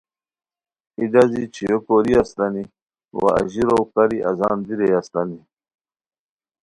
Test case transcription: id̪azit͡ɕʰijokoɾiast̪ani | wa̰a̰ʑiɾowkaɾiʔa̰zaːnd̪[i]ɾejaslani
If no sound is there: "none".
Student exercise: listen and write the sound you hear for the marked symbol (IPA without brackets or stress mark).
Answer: i